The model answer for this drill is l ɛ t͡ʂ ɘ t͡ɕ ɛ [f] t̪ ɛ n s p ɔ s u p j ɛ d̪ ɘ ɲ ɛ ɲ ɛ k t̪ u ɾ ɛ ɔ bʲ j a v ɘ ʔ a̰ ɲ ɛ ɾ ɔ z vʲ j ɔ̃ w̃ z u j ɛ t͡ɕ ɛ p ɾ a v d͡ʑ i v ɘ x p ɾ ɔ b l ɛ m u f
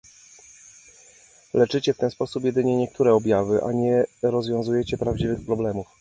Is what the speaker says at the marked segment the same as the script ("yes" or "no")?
yes